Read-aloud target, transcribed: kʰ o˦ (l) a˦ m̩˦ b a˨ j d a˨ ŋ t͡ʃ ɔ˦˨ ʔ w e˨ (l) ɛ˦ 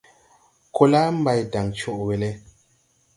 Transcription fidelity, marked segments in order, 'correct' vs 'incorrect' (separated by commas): correct, correct